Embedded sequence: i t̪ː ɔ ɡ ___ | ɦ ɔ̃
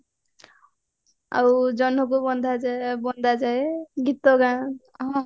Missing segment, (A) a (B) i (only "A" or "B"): A